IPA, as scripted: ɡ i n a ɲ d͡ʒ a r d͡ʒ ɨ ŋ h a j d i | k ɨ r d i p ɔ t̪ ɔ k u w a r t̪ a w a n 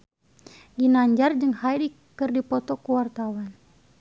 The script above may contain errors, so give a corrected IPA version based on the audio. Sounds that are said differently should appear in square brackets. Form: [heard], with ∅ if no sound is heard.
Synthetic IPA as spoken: ɡ i n a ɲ d͡ʒ a r d͡ʒ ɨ ŋ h a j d i | k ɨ r d i p ɔ t̪ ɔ k u w a r t̪ a w a n